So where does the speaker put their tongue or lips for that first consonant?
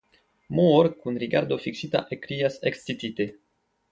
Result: lips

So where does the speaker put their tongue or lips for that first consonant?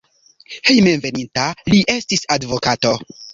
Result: throat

